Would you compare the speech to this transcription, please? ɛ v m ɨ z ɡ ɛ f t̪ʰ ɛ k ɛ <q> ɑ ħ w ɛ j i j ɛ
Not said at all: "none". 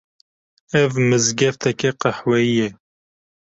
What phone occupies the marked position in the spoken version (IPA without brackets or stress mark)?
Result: q